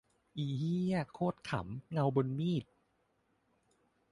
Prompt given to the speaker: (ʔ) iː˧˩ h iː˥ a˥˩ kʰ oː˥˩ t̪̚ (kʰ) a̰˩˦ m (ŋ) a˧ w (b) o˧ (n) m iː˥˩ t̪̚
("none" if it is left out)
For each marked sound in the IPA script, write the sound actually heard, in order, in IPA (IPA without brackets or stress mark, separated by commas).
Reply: ʔ, kʰ, ŋ, b, n